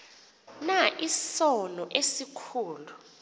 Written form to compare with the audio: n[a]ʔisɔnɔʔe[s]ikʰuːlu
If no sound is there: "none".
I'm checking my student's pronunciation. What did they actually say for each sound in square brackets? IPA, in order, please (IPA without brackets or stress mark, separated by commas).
a, s